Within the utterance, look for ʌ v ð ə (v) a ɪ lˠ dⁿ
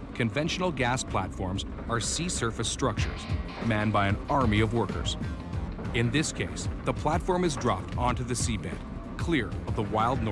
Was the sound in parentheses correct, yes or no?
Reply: no